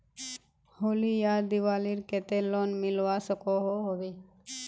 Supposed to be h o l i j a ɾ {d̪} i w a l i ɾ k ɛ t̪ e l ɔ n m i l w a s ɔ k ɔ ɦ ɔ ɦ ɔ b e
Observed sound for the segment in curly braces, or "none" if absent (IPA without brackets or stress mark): d̪